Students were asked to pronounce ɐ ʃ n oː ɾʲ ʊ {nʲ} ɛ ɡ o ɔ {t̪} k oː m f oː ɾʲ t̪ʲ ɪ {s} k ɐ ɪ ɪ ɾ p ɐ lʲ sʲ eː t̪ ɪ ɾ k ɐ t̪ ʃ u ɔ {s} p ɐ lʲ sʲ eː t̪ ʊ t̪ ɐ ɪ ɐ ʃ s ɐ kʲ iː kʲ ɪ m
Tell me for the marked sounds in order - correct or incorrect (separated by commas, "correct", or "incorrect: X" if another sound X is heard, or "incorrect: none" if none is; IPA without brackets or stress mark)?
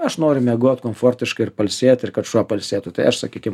incorrect: mʲ, correct, incorrect: ʃ, incorrect: none